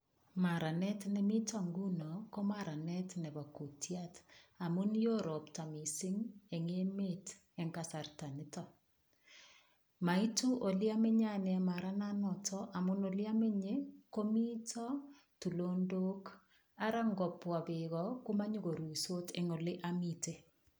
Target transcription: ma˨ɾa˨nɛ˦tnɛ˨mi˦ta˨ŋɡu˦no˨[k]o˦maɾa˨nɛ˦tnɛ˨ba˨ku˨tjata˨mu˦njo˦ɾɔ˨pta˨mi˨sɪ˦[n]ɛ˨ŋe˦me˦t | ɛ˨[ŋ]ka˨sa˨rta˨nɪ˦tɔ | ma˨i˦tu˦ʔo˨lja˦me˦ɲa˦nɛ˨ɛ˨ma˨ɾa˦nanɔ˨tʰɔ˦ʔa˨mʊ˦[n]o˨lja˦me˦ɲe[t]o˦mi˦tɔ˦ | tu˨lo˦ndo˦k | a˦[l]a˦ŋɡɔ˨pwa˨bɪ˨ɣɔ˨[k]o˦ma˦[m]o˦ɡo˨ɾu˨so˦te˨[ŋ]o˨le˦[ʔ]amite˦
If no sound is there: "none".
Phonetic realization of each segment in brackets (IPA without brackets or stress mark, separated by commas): k, ŋ, ŋ, n, k, ɾ, k, ɲ, ŋ, ʔ